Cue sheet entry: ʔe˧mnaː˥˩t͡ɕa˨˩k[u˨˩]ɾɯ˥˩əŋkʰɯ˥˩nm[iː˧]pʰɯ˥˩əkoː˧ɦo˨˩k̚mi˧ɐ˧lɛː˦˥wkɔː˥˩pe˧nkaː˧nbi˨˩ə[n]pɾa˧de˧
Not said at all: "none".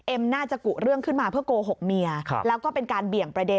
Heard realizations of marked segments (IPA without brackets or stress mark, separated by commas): u˨˩, aː˧, ŋ